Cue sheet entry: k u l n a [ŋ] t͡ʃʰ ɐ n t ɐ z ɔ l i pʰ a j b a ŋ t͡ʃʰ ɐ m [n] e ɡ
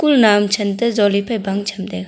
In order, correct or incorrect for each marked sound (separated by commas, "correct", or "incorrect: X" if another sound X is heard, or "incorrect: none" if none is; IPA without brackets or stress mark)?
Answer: incorrect: m, incorrect: d